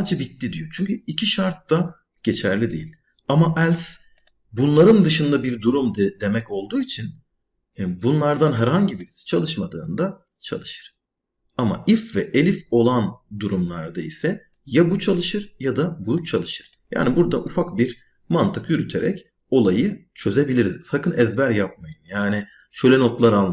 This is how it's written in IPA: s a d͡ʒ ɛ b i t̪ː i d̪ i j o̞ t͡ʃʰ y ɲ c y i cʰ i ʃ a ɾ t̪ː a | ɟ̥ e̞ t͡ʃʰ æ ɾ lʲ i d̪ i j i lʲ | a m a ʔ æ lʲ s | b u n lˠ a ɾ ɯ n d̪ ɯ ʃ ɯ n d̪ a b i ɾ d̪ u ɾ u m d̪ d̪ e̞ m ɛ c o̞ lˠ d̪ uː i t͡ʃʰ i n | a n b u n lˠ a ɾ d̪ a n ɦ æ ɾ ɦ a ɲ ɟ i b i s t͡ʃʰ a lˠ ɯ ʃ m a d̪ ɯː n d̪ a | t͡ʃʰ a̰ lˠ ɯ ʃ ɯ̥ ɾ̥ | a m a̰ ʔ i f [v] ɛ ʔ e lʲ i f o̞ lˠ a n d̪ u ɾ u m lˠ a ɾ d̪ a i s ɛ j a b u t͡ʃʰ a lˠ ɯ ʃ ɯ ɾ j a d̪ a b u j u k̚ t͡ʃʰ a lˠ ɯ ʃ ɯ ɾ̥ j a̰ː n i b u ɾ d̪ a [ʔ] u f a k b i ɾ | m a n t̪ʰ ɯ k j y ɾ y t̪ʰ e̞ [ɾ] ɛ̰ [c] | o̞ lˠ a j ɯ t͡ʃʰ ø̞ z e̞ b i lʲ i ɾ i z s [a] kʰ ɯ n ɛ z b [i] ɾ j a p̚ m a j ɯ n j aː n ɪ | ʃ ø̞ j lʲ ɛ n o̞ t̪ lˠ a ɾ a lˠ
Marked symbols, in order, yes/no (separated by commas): yes, yes, yes, yes, yes, no